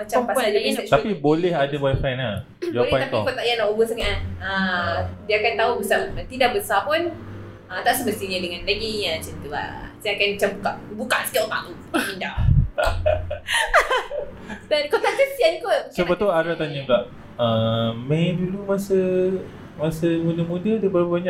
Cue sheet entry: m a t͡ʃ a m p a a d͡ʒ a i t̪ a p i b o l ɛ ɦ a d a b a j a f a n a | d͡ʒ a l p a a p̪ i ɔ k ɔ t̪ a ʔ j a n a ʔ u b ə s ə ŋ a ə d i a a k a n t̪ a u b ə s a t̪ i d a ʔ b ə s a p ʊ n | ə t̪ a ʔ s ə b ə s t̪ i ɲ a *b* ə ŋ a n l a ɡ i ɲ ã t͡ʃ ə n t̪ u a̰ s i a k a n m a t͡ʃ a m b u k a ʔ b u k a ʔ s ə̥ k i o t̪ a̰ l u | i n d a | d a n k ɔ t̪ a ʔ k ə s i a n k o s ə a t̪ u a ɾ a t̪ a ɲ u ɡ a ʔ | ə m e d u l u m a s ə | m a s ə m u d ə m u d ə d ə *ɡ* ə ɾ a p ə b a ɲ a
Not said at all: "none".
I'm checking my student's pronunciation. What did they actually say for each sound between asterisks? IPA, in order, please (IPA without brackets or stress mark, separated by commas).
d, b